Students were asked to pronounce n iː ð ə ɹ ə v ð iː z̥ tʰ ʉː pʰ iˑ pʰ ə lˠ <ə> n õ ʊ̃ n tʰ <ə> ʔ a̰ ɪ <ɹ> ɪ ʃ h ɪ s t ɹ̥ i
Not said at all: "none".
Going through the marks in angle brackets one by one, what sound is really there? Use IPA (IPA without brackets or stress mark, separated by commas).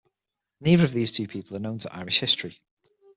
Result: ə, ə, ɹ